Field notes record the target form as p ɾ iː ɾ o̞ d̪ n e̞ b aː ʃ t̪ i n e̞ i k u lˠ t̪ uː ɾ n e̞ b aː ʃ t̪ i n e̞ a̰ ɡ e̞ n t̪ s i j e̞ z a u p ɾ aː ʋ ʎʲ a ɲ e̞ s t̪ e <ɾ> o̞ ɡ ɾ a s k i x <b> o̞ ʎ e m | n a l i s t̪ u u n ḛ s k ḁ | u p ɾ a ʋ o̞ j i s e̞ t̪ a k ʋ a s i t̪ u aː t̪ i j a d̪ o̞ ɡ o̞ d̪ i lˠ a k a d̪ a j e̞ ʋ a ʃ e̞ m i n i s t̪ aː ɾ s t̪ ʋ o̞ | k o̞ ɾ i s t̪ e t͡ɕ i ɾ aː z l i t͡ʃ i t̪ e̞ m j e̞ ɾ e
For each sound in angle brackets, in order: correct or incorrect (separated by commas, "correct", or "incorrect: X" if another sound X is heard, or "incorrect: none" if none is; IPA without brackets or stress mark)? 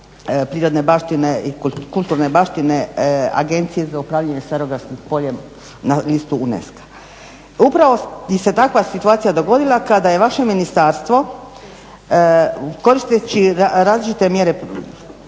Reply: correct, incorrect: p